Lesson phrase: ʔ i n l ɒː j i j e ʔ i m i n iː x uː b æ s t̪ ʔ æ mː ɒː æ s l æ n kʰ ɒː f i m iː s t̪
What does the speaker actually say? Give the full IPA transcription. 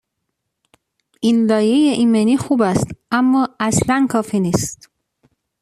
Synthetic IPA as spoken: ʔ i n l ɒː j e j e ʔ i m e n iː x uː b æ s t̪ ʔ æ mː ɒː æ s l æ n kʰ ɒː f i n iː s t̪